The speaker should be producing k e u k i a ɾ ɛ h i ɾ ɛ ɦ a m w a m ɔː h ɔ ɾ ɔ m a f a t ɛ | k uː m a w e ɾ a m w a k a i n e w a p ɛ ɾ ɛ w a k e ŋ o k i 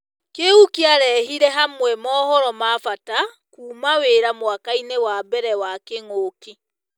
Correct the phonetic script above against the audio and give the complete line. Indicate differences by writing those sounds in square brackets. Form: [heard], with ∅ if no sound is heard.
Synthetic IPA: k e u k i a ɾ ɛ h i ɾ ɛ ɦ a m w [ɛ] m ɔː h ɔ ɾ ɔ m a f a t [a] | k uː m a w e ɾ a m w a k a i n e w a [b] ɛ ɾ ɛ w a k e ŋ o k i